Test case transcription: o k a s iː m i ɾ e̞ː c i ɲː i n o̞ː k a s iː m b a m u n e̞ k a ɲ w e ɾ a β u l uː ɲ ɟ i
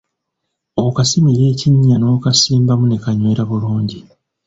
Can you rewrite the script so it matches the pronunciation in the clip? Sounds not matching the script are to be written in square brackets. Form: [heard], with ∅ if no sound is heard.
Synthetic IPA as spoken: o k a s [i] m i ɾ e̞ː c i ɲː [a] n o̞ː k a s iː m b a m u n e̞ k a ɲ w e ɾ a β u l uː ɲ ɟ i